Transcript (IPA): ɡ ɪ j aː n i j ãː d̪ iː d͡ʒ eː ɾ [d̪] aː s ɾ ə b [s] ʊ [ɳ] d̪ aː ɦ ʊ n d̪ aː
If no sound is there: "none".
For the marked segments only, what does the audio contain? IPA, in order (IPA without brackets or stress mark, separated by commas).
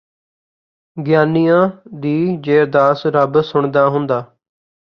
d̪, s, ɳ